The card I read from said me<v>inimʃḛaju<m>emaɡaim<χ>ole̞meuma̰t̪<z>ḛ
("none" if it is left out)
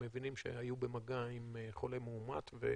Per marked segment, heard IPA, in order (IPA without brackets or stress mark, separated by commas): v, b, χ, v